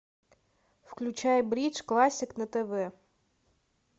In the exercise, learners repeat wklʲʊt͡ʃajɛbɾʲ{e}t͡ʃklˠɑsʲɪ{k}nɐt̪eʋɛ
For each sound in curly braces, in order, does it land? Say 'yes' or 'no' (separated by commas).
no, yes